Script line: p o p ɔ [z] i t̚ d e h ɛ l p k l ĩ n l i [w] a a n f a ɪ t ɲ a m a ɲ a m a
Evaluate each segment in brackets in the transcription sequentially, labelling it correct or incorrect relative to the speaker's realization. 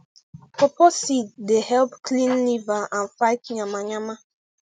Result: incorrect: s, incorrect: v

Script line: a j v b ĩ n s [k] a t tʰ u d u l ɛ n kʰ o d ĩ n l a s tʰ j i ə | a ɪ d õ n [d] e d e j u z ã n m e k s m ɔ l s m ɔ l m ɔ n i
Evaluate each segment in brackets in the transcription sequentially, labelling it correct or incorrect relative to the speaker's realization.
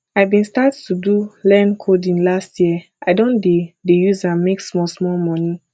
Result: incorrect: t, correct

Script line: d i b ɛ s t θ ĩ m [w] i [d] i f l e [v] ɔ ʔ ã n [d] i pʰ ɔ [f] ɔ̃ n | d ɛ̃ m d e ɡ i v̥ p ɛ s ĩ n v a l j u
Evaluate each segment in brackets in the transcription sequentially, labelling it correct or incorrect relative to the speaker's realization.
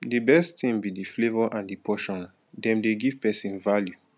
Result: incorrect: b, correct, correct, correct, incorrect: ʃ

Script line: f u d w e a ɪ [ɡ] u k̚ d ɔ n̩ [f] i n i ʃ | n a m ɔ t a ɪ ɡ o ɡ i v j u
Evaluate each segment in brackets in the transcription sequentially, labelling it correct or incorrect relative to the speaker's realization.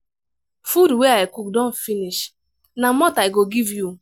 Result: incorrect: k, correct

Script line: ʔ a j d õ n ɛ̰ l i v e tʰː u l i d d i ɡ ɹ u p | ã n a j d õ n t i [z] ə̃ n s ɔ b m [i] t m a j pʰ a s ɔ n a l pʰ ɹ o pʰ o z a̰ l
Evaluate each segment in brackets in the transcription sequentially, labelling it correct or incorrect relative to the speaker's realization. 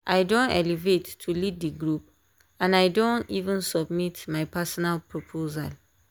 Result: incorrect: v, correct

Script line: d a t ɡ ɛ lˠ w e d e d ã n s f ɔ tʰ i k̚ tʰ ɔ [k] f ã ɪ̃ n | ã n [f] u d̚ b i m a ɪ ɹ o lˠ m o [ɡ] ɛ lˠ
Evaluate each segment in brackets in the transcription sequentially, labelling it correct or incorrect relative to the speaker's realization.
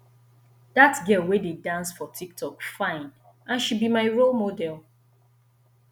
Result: correct, incorrect: ʃ, incorrect: d

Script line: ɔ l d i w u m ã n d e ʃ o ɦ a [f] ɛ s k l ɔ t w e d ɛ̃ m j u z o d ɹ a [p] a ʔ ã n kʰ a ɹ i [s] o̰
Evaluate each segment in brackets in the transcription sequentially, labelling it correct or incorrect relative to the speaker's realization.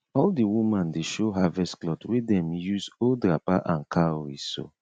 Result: incorrect: v, correct, correct

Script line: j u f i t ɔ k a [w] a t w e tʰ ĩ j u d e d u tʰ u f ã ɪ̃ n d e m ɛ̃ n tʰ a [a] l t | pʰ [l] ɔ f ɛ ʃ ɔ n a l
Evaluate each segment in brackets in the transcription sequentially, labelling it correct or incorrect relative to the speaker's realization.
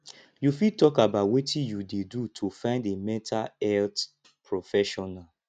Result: incorrect: b, incorrect: ɛ, incorrect: ɹ

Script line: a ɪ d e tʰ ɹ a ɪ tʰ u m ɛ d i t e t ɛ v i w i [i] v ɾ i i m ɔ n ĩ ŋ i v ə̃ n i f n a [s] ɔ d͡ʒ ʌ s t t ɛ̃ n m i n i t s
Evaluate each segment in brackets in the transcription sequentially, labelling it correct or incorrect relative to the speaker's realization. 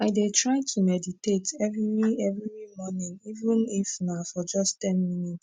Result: incorrect: ɛ, incorrect: f

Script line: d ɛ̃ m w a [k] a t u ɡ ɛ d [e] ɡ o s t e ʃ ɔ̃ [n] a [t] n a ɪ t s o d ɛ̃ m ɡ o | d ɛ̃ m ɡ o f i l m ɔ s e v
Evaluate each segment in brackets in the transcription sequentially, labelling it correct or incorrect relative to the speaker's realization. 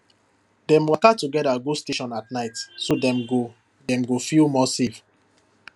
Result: correct, incorrect: a, correct, correct

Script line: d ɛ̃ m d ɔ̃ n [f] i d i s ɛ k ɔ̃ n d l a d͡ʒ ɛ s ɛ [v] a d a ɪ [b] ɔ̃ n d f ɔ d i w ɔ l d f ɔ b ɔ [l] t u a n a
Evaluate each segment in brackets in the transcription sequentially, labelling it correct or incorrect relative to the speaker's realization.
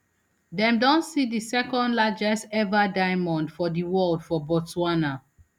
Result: incorrect: s, correct, incorrect: m, incorrect: none

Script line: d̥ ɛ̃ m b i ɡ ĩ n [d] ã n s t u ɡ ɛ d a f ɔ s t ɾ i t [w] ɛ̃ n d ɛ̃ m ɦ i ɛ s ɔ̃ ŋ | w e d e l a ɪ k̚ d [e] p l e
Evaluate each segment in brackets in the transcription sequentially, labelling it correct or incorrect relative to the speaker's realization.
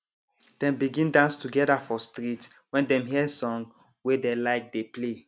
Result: correct, correct, correct

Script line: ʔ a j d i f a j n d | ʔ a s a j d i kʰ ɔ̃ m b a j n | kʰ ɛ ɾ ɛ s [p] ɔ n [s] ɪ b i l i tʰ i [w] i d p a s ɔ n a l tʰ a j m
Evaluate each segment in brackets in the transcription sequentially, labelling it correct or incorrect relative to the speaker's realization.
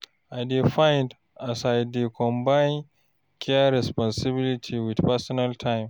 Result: correct, correct, correct

